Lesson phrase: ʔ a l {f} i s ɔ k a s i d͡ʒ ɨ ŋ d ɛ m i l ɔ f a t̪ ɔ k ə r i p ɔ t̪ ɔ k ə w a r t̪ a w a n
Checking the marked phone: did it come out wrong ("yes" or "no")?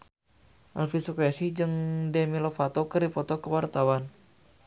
no